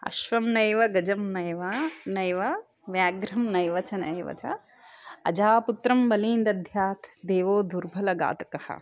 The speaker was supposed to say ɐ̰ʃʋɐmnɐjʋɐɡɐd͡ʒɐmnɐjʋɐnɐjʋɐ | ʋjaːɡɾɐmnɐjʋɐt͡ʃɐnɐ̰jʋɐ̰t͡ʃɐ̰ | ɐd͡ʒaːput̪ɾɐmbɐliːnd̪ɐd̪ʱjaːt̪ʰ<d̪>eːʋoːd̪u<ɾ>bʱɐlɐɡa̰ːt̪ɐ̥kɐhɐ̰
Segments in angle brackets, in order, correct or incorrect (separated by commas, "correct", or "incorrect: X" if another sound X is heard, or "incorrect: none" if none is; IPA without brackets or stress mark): correct, correct